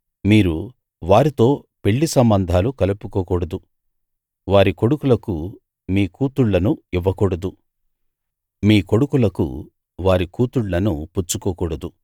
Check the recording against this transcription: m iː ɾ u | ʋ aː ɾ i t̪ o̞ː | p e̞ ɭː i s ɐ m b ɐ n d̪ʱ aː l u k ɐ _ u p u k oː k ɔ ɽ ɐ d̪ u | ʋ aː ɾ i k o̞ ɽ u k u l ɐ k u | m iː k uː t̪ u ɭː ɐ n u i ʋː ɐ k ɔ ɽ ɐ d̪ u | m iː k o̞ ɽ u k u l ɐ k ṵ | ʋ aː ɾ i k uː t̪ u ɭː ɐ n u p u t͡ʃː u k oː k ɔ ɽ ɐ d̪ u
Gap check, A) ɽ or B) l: B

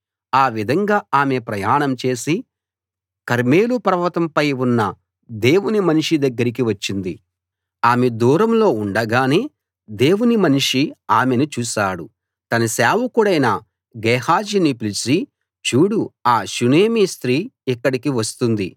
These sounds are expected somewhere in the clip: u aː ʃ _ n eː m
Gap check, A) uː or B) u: B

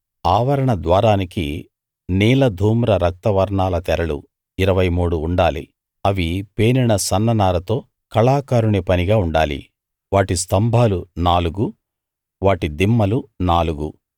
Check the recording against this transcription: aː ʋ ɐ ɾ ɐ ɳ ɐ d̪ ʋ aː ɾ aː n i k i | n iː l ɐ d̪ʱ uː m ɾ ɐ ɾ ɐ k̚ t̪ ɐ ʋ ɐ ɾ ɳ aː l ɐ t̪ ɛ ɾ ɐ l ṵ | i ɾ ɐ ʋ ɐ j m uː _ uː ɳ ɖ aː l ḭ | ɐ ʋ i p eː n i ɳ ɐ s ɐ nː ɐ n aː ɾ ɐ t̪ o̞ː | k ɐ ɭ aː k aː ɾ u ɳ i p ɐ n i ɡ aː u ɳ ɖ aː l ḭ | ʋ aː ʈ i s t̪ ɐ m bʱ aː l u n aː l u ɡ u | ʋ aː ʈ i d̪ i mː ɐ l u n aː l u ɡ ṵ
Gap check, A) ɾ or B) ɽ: B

